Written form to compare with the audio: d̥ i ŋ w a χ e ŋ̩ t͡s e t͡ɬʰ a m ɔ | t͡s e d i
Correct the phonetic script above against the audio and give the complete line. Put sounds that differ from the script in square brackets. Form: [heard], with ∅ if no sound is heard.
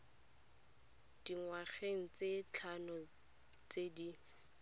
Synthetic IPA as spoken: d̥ i ŋ w a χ e ŋ̩ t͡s e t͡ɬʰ a [n] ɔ | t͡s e d i